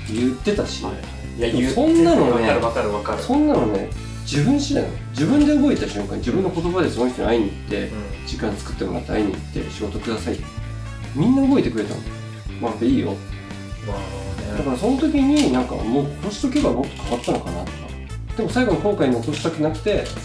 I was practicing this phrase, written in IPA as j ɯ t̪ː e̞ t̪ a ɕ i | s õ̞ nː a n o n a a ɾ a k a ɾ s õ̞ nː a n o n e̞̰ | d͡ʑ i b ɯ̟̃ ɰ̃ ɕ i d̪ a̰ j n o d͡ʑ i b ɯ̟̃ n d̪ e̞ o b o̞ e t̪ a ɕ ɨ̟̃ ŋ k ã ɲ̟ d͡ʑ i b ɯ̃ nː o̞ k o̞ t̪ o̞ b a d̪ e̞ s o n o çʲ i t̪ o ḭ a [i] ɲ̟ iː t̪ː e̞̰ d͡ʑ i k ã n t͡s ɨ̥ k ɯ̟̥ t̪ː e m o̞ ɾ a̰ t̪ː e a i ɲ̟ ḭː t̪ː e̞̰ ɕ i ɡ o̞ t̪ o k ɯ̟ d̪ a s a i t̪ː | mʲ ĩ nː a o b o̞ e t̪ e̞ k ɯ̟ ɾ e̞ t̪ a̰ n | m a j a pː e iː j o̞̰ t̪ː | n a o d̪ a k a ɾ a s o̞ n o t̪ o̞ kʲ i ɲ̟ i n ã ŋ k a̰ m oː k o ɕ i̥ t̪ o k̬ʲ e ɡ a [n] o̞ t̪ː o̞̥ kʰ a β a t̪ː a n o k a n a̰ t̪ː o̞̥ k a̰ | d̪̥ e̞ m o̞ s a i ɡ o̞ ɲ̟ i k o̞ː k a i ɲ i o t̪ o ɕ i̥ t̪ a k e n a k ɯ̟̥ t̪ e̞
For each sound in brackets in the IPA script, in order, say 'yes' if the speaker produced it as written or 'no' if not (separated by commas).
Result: yes, no